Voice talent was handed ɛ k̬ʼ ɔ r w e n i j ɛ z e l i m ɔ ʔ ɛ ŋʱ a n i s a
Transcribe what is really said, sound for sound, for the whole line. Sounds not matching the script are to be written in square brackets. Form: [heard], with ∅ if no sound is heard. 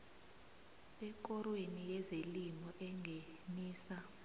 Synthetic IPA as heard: ɛ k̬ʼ ɔ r w e n i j ɛ z e l i m ɔ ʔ ɛ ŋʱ [e] n [iː] s a